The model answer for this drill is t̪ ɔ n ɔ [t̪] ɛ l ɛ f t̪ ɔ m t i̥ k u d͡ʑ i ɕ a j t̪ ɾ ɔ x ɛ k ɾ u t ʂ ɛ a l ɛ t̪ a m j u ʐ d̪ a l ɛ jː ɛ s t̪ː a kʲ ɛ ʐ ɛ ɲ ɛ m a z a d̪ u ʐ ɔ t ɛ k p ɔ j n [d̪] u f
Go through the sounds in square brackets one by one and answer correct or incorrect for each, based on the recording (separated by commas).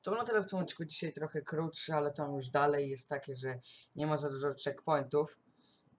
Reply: correct, incorrect